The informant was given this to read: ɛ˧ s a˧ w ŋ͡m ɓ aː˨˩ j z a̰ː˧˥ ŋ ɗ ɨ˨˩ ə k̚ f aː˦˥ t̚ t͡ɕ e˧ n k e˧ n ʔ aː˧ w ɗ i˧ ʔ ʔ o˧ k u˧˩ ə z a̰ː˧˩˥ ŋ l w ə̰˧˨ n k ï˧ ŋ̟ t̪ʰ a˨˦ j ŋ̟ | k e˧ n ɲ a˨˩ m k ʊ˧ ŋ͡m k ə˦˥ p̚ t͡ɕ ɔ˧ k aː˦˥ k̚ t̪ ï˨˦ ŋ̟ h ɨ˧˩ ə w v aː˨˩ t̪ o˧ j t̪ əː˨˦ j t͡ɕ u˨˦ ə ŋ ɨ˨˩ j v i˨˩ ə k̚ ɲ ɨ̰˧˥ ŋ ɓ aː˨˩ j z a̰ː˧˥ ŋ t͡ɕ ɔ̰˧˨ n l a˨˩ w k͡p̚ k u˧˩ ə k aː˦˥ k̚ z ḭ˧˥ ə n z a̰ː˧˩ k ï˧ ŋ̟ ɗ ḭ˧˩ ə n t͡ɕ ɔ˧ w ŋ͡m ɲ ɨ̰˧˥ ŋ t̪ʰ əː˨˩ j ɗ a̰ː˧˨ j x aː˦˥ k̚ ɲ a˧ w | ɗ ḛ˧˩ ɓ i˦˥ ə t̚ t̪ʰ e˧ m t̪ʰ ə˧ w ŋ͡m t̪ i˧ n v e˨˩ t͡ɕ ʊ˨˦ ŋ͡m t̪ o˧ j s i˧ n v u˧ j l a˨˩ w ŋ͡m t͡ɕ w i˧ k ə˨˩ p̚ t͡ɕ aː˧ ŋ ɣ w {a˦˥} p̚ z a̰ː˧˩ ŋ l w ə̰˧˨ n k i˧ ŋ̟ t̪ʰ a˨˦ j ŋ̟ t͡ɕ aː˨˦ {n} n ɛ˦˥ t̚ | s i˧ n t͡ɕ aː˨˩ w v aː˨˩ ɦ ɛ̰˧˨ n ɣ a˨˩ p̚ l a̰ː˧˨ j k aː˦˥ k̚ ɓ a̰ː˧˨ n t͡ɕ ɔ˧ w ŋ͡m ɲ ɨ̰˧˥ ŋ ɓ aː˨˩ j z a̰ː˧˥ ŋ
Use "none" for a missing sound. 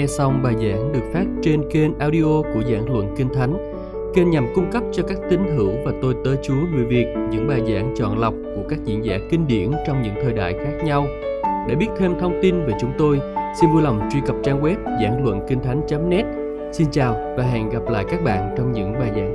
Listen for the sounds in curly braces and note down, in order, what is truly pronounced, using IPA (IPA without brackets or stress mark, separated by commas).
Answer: ɛ˦˥, m